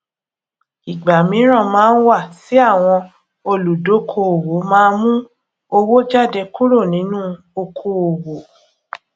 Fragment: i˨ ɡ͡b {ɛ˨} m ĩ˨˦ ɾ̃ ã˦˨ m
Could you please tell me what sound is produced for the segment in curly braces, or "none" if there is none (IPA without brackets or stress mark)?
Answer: a˨